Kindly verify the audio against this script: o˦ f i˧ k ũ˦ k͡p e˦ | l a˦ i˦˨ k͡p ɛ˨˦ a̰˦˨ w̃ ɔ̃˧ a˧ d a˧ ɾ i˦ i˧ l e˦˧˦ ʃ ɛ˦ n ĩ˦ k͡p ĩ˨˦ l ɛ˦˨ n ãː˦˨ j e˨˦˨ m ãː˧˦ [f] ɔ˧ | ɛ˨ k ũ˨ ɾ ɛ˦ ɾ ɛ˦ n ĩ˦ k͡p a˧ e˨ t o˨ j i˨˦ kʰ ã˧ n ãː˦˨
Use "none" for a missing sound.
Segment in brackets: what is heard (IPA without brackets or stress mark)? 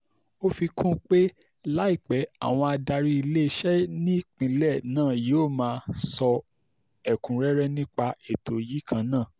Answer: s